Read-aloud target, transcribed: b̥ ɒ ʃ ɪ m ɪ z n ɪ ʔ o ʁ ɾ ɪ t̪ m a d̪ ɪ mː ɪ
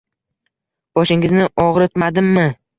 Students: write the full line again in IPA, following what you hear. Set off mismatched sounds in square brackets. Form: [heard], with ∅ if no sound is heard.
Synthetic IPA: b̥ ɒ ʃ ɪ [ŋ] ɪ z n ɪ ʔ [ɒ] ʁ ɾ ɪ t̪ m a d̪ ɪ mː ɪ